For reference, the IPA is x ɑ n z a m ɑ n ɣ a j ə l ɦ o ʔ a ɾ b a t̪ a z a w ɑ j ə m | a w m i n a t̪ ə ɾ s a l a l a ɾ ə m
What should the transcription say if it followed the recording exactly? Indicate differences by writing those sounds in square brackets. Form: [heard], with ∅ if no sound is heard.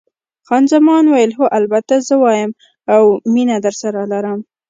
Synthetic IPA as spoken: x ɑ n z a m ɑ n [w] a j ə l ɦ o ʔ a [l] b a t̪ a z [ə] w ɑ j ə m | a w m i n a [d̪] ə ɾ s a [ɾ] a l a ɾ ə m